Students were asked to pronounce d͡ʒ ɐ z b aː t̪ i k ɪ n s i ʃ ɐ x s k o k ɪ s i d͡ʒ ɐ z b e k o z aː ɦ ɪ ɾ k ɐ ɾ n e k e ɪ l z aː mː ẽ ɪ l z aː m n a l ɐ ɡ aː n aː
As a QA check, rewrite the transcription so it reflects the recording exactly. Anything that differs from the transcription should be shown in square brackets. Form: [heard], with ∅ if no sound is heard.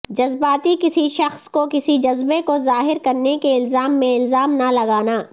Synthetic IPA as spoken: d͡ʒ ɐ z b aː t̪ i k ɪ [∅] s i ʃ ɐ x s k o k ɪ s i d͡ʒ ɐ z b e k o z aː ɦ ɪ ɾ k ɐ ɾ n e k e ɪ l z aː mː ẽ ɪ l z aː m n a l ɐ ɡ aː n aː